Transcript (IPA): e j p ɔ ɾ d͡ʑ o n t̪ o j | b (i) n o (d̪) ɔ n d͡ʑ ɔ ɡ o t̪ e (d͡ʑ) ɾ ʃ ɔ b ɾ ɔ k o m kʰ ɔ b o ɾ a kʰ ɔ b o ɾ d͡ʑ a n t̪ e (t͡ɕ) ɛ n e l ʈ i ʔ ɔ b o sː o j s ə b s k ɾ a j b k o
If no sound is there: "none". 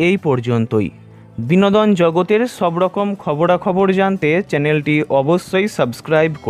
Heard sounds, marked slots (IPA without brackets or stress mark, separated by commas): i, d̪, none, t͡ɕ